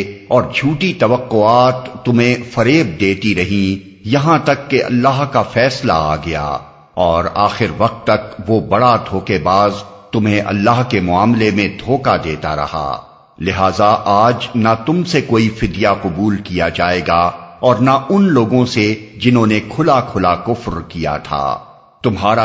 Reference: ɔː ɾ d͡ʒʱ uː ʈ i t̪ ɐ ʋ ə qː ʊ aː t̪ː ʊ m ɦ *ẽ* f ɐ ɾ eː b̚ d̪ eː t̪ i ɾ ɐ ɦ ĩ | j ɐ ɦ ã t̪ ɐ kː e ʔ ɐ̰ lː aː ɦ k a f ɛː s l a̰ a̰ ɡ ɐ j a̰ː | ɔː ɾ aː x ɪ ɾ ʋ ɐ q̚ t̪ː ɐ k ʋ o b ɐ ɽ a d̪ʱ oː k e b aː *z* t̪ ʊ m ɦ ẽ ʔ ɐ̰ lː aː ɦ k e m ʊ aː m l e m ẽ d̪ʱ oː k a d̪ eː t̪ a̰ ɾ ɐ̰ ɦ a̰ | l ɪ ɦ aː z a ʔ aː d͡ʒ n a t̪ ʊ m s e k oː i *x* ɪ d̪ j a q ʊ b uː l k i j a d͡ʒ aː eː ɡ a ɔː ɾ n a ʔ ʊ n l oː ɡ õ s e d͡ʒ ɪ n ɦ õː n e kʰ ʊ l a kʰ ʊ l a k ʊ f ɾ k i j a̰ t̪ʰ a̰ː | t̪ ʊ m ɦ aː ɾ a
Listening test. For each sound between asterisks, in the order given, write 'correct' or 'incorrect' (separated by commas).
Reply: correct, correct, incorrect